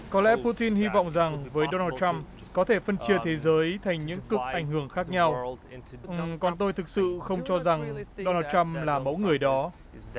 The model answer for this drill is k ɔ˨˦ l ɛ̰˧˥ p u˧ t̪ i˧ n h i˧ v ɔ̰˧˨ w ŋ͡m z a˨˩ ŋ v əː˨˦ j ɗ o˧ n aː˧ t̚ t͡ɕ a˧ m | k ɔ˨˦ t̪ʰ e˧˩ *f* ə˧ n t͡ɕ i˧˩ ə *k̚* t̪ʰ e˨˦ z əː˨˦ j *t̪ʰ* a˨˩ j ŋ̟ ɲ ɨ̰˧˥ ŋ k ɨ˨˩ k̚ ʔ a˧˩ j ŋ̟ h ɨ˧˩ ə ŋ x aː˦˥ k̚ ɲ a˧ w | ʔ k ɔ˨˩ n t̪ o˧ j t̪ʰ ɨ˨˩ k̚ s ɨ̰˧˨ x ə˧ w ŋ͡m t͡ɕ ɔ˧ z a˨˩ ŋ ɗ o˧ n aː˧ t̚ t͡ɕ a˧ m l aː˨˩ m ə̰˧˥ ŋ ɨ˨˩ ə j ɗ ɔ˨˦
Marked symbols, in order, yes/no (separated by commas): yes, no, yes